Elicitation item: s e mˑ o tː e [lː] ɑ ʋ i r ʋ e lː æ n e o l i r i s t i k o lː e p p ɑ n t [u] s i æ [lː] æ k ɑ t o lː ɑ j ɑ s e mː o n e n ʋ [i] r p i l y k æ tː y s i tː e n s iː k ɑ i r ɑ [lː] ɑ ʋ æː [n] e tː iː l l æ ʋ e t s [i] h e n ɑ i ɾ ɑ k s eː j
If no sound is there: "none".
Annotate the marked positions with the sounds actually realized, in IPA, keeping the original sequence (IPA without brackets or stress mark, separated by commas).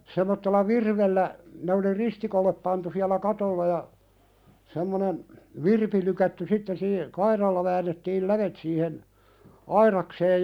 lː, u, l, i, lː, nː, iː